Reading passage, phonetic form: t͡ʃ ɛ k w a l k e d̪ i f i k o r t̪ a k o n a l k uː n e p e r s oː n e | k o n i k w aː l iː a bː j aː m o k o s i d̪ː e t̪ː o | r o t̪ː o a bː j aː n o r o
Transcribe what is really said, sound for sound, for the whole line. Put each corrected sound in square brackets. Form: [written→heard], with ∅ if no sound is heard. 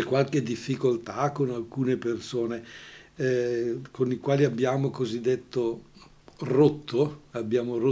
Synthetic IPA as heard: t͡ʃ ɛ k w a l k e d̪ i [f→fː] i k o [r→l] t̪ a k o n a l k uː n e p e r s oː n e | k o n i k w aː l [iː→i] a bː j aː m o k o [s→z] i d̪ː e t̪ː o | r o t̪ː o a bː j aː [n→m] o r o